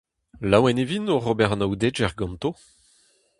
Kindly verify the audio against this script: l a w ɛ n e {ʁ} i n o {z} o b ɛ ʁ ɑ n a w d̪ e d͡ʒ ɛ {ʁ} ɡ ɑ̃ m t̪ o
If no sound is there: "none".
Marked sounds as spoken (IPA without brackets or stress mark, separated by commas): v, ʁ, ʁ